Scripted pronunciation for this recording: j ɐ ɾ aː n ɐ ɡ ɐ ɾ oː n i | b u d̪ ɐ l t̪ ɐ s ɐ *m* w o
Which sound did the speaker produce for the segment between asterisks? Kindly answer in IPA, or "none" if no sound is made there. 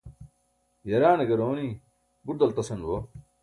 n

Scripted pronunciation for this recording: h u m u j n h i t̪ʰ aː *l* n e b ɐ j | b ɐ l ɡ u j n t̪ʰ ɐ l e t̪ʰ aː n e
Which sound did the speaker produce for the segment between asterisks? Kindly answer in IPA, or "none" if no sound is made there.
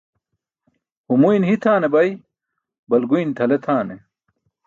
none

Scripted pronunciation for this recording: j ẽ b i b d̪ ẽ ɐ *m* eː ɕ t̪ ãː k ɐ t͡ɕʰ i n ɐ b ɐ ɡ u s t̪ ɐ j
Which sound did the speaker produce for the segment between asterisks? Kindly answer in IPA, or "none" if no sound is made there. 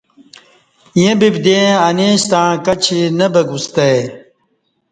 n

